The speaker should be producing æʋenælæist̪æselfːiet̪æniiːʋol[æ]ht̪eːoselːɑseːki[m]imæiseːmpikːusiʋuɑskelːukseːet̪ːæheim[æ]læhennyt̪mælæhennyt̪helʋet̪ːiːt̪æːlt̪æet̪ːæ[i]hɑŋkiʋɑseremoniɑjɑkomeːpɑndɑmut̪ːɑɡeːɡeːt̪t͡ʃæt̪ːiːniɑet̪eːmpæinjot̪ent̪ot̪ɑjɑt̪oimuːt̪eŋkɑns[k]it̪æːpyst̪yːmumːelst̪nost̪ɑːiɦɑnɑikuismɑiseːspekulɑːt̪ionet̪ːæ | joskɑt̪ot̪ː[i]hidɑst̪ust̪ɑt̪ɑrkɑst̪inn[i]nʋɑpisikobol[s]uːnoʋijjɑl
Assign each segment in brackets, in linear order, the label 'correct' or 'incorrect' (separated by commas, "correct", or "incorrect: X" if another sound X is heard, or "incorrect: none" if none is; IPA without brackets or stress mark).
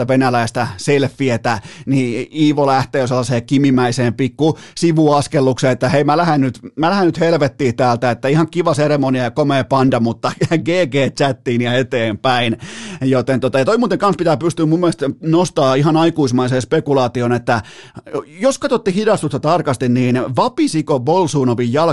correct, correct, correct, correct, incorrect: p, correct, incorrect: iː, correct